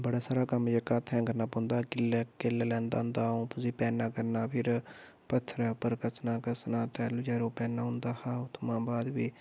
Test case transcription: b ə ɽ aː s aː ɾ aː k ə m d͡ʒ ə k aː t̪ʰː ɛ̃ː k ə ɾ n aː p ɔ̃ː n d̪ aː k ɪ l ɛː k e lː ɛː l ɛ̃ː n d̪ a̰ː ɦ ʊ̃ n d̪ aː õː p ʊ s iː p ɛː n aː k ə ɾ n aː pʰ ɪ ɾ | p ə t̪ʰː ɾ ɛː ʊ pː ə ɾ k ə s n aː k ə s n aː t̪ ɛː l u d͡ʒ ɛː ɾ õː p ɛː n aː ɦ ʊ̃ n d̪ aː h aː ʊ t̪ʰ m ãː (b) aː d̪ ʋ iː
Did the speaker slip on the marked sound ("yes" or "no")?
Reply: no